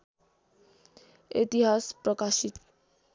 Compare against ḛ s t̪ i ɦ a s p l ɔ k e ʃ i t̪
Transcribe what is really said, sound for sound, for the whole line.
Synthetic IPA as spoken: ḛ t̪ i ɦ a s p ɾ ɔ k a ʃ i t̪